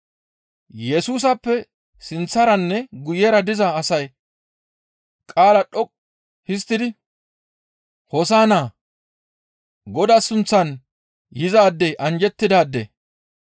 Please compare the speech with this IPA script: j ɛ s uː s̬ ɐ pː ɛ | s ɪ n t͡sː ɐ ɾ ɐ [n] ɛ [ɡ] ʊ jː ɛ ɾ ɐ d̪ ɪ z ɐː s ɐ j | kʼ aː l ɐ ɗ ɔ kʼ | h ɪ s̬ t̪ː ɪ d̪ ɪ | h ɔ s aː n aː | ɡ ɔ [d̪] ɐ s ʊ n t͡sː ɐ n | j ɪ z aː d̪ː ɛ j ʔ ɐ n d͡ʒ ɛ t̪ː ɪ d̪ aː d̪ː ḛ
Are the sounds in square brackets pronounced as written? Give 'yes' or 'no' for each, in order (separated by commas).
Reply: no, yes, yes